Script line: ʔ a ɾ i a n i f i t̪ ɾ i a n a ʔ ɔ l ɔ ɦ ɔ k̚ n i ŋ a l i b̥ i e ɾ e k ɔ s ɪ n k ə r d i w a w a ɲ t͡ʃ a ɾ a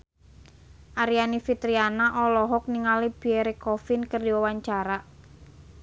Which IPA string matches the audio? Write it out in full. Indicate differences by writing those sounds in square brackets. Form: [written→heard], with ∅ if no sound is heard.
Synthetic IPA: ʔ a ɾ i a n i f i t̪ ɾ i a n a ʔ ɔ l ɔ ɦ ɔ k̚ n i ŋ a l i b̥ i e ɾ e k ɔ [s→f] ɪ n k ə r d i w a w a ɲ t͡ʃ a ɾ a